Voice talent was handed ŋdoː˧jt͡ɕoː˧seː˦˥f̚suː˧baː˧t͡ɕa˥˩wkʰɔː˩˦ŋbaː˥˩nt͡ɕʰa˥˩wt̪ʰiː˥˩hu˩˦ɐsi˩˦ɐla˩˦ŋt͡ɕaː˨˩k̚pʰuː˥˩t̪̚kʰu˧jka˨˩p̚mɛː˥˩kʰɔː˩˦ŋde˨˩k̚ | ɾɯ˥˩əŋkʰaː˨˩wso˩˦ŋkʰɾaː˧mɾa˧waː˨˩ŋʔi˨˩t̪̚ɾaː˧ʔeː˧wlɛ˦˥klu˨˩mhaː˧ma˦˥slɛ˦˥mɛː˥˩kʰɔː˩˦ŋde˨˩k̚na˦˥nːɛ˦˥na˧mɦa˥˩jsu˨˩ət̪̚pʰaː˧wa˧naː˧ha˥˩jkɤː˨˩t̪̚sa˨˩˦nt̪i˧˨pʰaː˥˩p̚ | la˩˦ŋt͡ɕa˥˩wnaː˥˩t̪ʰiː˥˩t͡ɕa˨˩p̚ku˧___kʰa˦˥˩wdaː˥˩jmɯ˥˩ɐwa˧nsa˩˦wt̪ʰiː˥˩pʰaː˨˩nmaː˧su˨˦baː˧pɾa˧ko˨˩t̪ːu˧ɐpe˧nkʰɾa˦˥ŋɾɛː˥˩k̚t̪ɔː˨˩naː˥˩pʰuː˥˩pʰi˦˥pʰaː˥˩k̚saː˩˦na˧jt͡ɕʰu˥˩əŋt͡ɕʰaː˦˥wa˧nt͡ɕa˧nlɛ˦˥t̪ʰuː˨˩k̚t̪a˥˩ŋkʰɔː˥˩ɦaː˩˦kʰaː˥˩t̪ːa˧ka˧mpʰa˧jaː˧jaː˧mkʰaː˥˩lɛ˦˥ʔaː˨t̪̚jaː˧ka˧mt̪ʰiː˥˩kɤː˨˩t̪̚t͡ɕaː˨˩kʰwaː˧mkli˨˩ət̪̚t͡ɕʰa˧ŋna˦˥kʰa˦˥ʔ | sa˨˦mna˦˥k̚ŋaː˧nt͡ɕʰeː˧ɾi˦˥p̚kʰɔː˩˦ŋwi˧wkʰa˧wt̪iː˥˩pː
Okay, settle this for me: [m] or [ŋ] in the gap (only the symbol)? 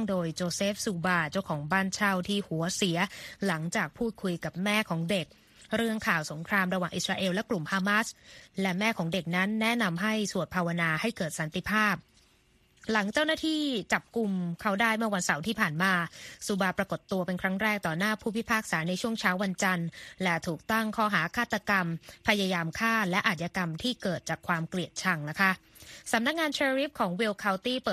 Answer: m